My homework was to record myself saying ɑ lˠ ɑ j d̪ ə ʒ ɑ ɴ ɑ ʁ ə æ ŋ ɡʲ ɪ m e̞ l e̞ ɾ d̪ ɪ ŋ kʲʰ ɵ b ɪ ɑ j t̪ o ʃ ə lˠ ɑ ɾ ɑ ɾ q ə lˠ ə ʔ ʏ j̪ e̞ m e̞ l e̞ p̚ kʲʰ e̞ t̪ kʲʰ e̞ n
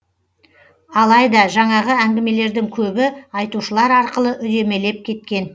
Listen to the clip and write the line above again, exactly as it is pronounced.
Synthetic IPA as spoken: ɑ lˠ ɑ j d̪ ɑ ʒ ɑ ɴ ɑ ʁ ə æ ŋ ɡʲ ɪ m e̞ l e̞ ɾ d̪ ɪ ŋ kʲʰ ɵ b ɪ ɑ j t̪ u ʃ ə lˠ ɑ ɾ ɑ ɾ q ə lˠ ə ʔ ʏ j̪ e̞ m e̞ l e̞ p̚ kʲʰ e̞ t̪ kʲ e̞ n